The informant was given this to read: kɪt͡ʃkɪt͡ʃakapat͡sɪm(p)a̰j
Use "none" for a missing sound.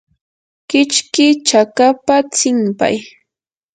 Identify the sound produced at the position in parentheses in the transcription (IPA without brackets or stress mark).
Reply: p